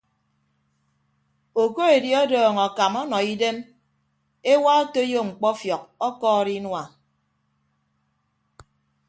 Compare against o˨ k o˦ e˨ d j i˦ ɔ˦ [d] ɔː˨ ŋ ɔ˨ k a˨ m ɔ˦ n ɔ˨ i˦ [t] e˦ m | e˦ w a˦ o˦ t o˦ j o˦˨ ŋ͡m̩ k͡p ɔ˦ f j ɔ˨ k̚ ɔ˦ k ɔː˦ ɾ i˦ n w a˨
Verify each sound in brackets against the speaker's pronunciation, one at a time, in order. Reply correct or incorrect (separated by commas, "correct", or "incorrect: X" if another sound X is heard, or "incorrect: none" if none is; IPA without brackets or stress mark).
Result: correct, incorrect: d